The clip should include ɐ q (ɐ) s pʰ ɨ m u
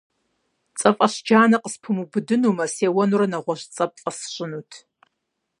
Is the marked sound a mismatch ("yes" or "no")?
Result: yes